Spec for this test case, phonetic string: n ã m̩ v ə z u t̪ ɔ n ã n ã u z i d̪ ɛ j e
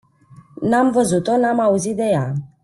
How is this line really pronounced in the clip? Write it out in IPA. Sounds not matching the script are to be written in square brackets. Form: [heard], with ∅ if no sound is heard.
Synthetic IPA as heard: n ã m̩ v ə z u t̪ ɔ n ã [m] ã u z i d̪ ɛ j [a]